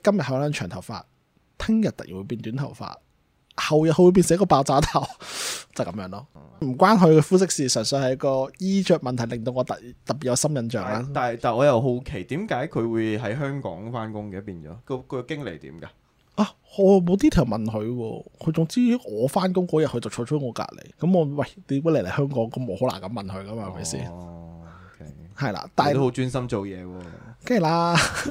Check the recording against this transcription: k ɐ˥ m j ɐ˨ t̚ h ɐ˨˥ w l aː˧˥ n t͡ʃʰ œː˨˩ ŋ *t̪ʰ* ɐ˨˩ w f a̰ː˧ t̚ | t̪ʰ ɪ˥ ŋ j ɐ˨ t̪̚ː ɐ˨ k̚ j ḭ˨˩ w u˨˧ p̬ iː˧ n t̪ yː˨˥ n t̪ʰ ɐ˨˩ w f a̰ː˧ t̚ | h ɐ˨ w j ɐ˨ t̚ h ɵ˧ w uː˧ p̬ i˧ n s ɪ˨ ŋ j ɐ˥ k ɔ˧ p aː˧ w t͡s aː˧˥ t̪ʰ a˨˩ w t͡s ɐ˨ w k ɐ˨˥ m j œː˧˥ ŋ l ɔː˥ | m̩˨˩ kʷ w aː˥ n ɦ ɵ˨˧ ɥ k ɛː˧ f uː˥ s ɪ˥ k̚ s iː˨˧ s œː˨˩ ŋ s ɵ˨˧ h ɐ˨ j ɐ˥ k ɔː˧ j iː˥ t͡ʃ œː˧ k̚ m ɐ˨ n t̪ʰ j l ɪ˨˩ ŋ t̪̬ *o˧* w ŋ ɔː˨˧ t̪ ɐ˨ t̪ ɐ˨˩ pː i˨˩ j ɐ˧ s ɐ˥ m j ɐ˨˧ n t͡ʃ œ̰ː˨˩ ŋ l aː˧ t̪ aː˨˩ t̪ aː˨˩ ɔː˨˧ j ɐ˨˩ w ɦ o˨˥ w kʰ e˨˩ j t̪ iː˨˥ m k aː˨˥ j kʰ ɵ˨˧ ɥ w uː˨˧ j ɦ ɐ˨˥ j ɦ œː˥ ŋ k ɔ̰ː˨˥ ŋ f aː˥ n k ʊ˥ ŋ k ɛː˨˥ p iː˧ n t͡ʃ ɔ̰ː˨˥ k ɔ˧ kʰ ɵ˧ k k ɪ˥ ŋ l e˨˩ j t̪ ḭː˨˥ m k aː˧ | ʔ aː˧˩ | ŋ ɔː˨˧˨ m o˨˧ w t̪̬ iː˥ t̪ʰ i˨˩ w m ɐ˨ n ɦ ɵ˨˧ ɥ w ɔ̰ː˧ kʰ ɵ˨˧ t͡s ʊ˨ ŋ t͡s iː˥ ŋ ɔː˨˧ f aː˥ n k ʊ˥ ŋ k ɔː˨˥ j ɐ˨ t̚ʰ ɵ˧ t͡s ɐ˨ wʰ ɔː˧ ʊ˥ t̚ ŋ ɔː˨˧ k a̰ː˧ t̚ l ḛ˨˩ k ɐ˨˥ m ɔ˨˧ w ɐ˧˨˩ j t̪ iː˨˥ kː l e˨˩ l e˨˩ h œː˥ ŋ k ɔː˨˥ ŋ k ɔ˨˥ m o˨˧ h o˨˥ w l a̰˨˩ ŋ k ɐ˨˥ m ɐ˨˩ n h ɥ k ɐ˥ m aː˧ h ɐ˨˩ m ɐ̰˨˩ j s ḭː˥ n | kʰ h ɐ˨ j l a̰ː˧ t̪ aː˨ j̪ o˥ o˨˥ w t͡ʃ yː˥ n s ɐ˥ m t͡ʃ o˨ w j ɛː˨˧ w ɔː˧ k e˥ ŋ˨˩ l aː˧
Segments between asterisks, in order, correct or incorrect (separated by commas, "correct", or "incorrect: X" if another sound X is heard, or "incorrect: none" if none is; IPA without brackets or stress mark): correct, correct